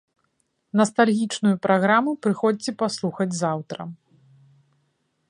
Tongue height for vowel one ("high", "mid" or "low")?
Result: low